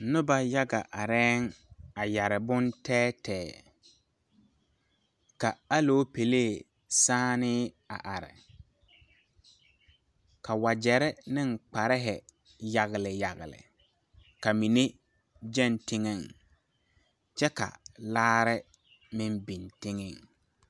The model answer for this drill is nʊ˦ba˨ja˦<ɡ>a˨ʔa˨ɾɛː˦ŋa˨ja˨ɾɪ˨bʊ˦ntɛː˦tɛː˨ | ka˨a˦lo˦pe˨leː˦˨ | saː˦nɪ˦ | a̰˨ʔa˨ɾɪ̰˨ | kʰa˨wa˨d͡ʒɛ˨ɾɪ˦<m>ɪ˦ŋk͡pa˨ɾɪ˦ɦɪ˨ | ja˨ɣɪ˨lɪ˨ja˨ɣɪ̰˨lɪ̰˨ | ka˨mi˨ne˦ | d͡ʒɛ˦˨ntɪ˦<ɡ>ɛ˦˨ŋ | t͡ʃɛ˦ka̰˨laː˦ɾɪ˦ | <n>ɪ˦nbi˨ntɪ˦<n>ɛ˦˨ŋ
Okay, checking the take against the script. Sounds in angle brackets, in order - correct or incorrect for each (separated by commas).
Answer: correct, incorrect, incorrect, incorrect, incorrect